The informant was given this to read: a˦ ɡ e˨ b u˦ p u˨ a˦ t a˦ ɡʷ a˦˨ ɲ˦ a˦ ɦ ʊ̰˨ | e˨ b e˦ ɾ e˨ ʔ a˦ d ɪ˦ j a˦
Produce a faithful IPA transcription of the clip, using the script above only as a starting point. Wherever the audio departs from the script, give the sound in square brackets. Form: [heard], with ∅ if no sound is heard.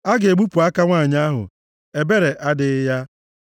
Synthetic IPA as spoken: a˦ ɡ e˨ [ɡ͡b] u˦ p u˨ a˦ [k] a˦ [ŋʷ] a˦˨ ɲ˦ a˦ ɦ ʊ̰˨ | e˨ b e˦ ɾ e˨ ʔ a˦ d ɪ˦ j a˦